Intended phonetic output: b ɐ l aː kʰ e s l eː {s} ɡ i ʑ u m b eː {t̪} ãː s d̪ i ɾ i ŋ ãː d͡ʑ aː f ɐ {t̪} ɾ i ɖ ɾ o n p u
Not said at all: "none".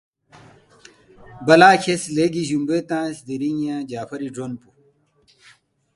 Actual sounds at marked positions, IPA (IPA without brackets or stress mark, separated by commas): none, t̪, none